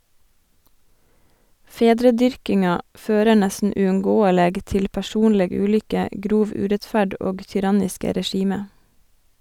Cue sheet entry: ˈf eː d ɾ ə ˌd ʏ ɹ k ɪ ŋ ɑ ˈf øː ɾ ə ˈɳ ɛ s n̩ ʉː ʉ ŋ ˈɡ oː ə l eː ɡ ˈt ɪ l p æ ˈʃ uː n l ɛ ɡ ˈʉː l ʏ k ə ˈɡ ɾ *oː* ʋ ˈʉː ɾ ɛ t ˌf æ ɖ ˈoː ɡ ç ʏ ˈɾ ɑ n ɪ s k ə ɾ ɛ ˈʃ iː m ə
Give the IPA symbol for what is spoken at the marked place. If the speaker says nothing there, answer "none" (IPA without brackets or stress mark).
uː